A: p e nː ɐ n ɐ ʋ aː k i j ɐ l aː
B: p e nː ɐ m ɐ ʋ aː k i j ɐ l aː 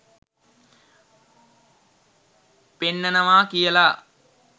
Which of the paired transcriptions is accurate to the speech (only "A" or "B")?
A